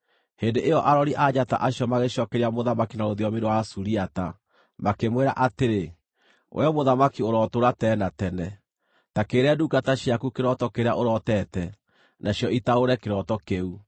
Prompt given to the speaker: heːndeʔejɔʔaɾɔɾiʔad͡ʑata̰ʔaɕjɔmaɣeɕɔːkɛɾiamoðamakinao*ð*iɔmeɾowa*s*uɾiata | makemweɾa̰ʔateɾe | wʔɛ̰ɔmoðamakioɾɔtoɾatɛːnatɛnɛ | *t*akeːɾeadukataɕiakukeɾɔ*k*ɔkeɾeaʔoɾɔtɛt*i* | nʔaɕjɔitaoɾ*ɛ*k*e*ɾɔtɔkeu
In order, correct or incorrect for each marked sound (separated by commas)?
correct, correct, correct, incorrect, incorrect, correct, correct